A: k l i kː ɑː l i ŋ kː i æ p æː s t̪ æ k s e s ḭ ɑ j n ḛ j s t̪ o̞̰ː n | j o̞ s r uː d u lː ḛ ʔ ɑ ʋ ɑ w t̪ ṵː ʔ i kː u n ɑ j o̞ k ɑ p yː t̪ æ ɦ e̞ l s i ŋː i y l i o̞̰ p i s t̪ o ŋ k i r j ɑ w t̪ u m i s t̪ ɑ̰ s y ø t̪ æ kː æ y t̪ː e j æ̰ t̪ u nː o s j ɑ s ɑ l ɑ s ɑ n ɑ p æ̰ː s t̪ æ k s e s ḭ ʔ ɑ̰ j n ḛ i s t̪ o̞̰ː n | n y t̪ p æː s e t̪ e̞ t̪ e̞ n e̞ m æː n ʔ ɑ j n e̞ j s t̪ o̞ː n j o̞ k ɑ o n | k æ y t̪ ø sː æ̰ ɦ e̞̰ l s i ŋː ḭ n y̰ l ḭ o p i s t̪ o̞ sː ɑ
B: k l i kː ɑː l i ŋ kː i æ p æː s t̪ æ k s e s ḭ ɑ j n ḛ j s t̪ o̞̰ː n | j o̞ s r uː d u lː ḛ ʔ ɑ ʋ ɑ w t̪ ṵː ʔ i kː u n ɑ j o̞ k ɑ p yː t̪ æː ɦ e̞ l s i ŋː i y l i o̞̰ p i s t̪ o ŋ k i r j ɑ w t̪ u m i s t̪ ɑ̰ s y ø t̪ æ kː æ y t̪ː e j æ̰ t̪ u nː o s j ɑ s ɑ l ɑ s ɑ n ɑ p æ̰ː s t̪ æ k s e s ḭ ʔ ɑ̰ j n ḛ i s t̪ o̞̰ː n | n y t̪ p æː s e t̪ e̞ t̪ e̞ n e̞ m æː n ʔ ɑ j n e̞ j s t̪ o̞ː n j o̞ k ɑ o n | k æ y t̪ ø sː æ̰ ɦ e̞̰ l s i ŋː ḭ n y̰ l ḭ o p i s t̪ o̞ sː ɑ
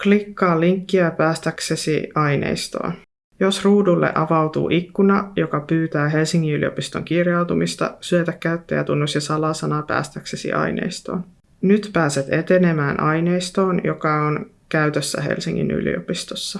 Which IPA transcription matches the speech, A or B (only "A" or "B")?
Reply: B